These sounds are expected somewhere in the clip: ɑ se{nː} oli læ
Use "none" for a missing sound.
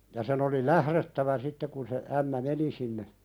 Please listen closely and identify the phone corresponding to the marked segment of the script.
n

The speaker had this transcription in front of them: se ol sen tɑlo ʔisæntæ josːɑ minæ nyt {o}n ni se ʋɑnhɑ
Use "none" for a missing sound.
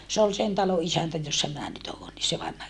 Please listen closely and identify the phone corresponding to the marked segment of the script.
oː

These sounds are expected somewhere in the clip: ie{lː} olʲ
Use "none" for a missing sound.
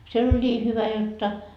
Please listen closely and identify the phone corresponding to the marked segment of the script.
l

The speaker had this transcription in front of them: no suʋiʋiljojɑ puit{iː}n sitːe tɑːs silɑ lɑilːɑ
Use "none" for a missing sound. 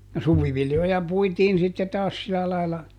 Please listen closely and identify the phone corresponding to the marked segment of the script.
iː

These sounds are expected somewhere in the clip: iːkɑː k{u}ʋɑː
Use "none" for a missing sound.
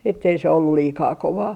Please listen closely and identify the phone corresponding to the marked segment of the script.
o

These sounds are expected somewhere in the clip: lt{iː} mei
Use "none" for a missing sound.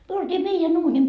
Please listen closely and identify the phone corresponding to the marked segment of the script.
iː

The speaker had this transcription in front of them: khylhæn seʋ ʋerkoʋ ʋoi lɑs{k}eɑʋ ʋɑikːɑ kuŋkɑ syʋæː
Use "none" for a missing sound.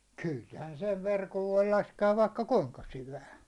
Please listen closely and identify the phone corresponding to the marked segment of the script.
k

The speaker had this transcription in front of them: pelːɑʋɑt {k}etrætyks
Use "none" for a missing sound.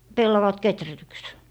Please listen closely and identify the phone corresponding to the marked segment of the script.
k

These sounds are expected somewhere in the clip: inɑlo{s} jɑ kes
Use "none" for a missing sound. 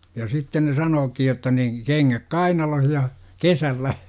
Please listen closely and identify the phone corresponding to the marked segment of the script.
h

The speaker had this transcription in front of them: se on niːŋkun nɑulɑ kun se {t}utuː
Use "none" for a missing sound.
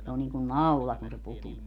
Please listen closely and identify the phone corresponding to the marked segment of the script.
p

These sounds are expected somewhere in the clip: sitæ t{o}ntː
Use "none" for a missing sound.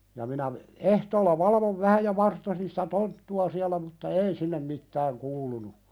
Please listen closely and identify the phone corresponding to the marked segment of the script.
o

